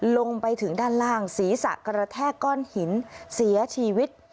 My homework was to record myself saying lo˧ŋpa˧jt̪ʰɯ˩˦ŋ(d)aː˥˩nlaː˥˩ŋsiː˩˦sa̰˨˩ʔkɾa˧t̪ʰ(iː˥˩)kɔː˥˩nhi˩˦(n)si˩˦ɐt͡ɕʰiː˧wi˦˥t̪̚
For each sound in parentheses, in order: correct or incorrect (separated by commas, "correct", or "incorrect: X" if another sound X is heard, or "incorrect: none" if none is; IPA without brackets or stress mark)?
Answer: correct, incorrect: ɛː˥˩, correct